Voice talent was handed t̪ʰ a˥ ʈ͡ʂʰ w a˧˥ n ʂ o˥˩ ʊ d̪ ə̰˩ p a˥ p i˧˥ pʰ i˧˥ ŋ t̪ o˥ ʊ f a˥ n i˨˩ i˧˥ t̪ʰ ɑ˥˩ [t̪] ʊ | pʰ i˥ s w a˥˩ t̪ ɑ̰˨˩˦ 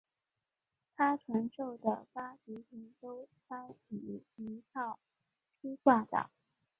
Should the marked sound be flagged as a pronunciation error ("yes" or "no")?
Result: yes